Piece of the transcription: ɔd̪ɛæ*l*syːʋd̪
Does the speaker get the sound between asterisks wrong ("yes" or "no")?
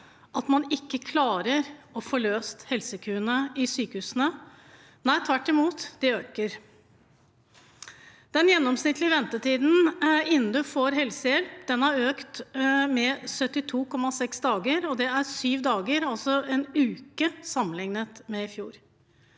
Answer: yes